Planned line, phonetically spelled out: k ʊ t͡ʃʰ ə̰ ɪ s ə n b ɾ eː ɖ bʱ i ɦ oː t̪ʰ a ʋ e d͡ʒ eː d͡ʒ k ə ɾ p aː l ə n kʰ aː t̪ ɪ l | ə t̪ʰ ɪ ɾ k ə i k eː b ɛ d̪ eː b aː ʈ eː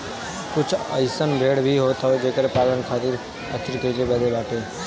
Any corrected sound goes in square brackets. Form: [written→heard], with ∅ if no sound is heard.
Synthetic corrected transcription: k ʊ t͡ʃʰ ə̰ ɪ s ə n b ɾ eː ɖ bʱ i ɦ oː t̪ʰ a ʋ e d͡ʒ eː [d͡ʒ→∅] k ə ɾ p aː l ə n kʰ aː t̪ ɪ [l→ɾ] | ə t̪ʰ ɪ ɾ k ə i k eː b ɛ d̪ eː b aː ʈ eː